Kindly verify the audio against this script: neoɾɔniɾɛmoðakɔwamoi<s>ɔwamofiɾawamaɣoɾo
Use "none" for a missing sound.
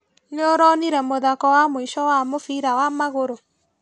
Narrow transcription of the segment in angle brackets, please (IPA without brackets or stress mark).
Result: ʃ